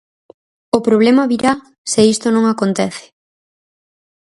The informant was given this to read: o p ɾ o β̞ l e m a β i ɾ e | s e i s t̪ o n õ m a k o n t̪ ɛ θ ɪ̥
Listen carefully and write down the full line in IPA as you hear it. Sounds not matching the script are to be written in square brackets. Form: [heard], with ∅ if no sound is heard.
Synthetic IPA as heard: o p ɾ o β̞ l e m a β i ɾ [a] | s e i s t̪ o n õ [ŋ] a k o n t̪ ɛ θ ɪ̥